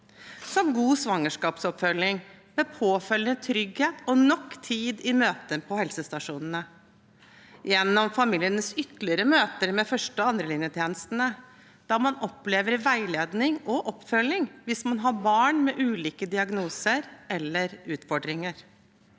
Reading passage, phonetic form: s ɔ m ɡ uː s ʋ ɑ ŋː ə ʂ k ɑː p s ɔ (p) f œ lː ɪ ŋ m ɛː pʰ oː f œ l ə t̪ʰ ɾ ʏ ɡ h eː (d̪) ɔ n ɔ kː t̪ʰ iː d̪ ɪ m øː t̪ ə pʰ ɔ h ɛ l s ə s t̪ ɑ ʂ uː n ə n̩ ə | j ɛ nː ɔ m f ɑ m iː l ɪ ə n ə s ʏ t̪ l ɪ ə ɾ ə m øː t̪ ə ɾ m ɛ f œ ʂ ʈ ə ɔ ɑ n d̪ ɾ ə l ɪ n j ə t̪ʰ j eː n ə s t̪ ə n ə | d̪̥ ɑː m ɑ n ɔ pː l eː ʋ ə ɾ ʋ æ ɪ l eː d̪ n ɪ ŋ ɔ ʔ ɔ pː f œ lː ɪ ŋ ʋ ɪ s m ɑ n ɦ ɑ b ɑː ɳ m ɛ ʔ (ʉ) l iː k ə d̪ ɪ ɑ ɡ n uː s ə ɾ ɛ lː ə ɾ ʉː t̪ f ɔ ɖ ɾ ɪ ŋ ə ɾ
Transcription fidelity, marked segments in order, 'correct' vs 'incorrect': correct, incorrect: t̪, incorrect: ʉː

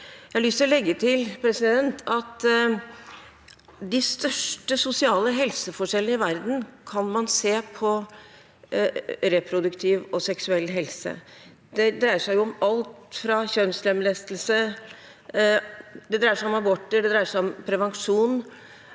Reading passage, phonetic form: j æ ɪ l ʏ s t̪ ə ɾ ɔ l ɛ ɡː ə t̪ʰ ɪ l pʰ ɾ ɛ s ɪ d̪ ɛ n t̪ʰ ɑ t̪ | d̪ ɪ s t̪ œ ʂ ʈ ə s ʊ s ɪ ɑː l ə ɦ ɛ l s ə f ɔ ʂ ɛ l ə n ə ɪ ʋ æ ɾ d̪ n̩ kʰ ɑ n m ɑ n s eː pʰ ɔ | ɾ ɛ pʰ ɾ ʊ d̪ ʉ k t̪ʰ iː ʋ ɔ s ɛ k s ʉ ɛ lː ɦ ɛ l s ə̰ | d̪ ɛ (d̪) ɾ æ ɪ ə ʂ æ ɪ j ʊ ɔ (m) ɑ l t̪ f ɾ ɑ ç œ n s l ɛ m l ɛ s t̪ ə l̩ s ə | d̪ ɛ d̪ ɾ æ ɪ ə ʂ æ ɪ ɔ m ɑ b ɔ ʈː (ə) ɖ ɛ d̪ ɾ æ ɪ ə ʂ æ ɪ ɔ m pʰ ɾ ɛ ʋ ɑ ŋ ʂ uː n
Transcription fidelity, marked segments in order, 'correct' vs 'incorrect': correct, correct, correct

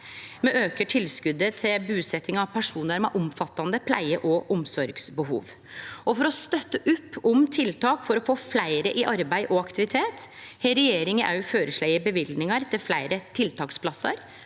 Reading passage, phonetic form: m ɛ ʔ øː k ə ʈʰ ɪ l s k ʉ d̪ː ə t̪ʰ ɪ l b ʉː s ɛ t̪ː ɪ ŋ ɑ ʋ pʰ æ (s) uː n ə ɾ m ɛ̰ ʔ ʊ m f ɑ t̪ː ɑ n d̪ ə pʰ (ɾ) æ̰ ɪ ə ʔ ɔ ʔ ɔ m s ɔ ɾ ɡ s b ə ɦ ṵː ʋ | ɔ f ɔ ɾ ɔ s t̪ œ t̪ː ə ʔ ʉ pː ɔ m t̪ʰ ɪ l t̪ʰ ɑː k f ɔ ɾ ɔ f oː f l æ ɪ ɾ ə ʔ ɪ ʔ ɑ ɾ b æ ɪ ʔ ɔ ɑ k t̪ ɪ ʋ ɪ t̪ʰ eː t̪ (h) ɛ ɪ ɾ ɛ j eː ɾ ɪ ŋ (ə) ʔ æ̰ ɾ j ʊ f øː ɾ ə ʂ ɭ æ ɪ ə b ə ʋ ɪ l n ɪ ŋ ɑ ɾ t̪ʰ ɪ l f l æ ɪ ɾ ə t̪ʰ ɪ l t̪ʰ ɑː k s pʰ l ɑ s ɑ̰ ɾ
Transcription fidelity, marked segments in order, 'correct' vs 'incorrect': incorrect: ʂ, incorrect: l, correct, correct

